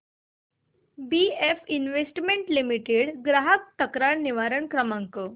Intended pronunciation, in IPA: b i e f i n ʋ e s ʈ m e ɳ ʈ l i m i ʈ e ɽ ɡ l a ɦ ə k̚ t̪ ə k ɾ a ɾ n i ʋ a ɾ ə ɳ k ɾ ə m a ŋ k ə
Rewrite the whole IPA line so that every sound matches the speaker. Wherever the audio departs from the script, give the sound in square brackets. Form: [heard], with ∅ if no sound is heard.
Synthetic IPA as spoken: b i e f i n ʋ e s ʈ m e ɳ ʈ l i m i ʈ e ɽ ɡ [ɾ] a ɦ ə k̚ t̪ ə k ɾ a ɾ n i ʋ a ɾ ə ɳ k ɾ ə m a ŋ k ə